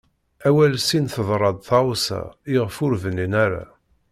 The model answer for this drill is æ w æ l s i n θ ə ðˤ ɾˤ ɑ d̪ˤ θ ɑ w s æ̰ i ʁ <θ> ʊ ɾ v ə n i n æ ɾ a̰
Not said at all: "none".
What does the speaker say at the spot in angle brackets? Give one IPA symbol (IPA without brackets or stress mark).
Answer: f